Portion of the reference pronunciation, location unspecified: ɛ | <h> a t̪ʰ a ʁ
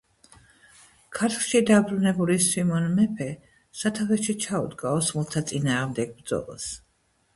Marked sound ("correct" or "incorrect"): incorrect